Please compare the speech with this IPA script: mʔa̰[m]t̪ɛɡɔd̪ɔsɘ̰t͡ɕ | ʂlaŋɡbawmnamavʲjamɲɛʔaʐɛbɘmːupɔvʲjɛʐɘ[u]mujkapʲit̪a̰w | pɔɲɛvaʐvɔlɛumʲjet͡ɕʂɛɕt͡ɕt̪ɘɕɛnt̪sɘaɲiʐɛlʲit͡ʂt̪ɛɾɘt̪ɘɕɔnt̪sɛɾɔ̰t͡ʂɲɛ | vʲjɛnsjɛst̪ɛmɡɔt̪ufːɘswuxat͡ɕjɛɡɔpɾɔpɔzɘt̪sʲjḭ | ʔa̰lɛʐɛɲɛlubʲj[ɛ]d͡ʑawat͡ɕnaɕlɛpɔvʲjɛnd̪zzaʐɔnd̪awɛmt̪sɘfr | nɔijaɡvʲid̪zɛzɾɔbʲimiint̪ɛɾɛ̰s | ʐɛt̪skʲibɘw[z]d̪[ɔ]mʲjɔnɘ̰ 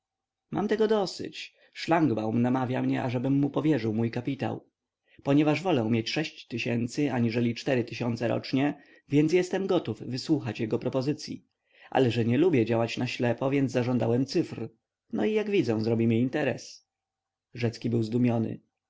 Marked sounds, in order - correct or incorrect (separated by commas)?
correct, incorrect, correct, correct, incorrect